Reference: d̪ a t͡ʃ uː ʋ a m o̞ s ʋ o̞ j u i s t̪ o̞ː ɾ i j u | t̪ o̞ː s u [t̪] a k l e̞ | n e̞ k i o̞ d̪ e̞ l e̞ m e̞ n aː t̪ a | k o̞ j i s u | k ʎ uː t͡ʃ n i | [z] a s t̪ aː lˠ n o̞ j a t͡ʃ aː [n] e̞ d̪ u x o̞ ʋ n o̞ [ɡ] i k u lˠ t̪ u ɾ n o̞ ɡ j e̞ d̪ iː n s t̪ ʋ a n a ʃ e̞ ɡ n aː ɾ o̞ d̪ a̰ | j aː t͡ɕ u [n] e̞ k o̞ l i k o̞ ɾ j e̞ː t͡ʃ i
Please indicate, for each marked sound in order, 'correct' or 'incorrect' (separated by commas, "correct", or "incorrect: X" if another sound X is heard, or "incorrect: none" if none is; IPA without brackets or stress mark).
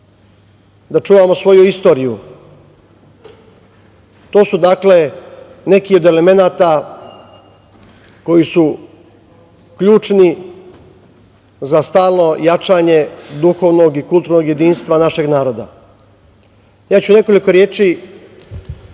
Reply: incorrect: d̪, correct, incorrect: ɲ, correct, correct